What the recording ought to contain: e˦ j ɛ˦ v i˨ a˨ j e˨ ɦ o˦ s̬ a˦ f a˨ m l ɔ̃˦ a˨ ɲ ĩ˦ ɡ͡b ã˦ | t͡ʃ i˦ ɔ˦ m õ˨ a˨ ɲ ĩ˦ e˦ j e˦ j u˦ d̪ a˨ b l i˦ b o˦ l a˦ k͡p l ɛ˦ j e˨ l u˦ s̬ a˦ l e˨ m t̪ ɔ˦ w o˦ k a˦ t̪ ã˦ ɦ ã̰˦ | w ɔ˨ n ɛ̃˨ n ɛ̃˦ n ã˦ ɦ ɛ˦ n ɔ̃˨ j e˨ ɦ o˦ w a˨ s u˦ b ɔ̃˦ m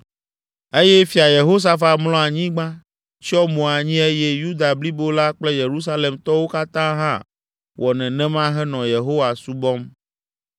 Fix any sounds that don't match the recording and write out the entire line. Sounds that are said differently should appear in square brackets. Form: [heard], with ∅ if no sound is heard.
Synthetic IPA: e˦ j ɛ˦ [f] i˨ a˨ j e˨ ɦ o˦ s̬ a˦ f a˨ m l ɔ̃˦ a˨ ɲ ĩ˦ ɡ͡b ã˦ | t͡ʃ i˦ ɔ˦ m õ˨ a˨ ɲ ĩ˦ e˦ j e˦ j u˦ d̪ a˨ b l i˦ b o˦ l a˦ k͡p l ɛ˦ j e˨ [ɾ] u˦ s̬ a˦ l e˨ m t̪ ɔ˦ w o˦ k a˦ t̪ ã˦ ɦ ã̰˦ | w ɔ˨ n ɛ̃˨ n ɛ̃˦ [m] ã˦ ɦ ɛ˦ n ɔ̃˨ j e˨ ɦ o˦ w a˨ s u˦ b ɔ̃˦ m